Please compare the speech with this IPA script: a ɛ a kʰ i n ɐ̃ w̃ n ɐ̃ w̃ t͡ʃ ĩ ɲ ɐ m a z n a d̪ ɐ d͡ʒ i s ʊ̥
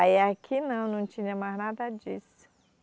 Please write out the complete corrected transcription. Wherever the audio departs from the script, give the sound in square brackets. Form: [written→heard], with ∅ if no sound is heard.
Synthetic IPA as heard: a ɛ a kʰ i n ɐ̃ w̃ n ɐ̃ w̃ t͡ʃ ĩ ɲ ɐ m a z n a d̪ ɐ d͡ʒ i s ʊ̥